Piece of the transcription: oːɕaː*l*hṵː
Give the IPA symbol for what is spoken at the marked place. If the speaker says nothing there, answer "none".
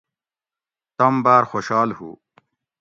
l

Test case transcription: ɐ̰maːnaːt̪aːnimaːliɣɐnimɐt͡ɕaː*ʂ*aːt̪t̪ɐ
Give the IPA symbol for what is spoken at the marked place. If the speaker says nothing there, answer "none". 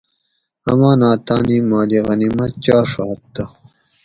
ʂ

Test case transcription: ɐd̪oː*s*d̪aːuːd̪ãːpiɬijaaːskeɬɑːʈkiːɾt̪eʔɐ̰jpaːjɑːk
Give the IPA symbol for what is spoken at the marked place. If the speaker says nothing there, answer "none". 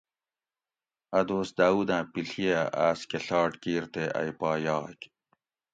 s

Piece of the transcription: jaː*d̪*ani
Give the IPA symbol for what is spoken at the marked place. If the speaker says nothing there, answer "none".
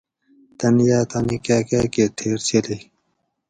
t̪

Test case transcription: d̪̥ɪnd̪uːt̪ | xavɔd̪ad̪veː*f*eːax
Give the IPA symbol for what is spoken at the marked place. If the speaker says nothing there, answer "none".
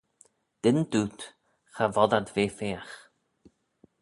f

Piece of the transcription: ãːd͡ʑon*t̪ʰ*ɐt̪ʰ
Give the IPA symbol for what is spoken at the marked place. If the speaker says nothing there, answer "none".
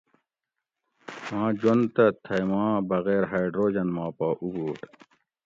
t̪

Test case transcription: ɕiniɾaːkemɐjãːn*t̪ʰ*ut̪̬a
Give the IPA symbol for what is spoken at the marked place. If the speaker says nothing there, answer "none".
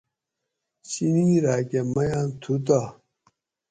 t̪ʰ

